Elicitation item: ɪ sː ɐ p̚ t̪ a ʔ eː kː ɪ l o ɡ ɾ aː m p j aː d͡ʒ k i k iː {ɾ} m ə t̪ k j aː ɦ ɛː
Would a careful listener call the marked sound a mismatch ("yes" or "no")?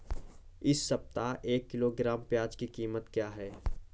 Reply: yes